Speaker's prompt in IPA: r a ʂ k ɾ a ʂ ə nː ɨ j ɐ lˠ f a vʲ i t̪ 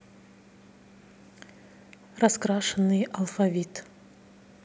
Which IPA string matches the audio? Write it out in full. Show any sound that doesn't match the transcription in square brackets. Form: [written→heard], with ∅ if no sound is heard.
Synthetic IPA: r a [ʂ→s] k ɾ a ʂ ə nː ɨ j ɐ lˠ f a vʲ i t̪